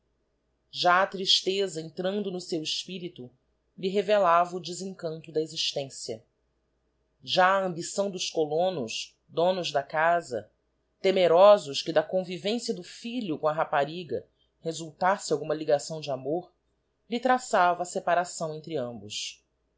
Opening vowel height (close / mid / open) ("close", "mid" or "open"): open